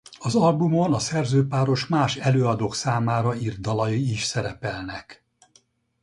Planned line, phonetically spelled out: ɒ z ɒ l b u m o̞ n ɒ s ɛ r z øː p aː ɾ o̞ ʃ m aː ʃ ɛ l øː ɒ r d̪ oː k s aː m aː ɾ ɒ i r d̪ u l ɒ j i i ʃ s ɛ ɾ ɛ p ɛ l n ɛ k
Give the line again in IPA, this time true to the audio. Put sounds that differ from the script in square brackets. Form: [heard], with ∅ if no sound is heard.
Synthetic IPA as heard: ɒ z ɒ l b u m o̞ n ɒ s ɛ r z øː p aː ɾ o̞ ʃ m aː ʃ ɛ l øː ɒ [∅] d̪ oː k s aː m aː ɾ ɒ i r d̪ [ɒ] l ɒ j i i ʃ s ɛ ɾ ɛ p ɛ l n ɛ k